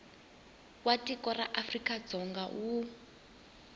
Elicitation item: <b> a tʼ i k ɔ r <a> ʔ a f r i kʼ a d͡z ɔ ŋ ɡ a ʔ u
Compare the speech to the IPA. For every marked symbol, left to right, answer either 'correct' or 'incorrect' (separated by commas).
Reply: incorrect, correct